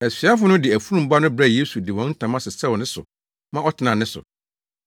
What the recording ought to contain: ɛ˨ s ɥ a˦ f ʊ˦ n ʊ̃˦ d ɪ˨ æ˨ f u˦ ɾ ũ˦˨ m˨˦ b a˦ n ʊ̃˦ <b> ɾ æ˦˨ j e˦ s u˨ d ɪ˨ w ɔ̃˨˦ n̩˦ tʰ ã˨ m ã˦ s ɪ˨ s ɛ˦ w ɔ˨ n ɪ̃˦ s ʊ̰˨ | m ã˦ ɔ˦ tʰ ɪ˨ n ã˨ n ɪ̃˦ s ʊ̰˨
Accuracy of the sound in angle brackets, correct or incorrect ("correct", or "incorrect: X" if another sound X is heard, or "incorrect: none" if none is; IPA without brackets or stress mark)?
correct